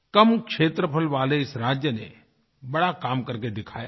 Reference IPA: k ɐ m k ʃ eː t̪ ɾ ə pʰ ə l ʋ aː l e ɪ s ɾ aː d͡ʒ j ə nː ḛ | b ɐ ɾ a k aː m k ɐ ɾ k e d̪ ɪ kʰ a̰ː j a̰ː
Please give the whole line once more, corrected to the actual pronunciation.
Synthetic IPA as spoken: k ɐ m k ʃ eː t̪ ɾ ə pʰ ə l ʋ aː l e ɪ s ɾ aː d͡ʒ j ə n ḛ | b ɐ ɽ a k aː m k ɐ ɾ k e d̪ ɪ kʰ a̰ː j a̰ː